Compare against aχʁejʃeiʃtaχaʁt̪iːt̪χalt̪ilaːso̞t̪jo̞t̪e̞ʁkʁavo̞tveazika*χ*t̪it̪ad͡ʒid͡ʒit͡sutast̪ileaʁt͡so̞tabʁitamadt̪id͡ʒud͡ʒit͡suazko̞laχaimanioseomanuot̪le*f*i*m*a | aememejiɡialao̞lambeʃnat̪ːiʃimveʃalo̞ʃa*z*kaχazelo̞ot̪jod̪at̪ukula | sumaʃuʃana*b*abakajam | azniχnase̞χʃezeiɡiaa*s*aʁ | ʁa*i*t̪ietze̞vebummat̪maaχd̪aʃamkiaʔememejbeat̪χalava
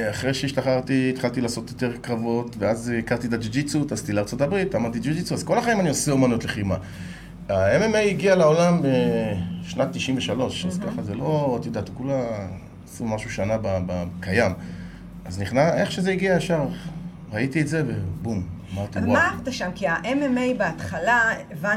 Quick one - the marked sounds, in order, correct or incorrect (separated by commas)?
incorrect, incorrect, correct, correct, correct, incorrect, correct